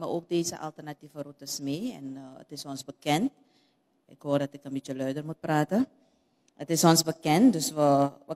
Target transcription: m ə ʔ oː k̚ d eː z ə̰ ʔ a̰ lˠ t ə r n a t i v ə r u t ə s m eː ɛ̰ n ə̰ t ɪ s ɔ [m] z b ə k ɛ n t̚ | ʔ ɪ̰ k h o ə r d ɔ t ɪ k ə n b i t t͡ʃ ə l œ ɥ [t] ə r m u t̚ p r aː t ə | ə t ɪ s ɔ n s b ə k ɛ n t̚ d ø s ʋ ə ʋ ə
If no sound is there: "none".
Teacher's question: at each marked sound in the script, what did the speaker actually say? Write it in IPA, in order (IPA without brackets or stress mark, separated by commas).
n, d